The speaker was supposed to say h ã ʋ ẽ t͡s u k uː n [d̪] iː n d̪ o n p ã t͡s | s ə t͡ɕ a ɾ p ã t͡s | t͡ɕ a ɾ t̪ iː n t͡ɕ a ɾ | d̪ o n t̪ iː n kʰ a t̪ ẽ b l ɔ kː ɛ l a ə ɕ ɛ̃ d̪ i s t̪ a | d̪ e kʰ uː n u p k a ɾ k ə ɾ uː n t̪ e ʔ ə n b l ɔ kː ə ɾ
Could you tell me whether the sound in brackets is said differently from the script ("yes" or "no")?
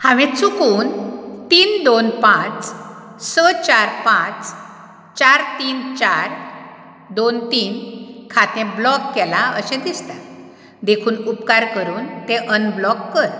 yes